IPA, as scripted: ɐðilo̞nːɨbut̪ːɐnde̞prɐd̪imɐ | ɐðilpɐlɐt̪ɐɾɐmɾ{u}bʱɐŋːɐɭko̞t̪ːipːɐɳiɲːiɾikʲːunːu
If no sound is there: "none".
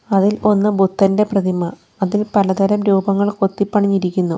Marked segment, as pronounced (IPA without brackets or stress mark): uː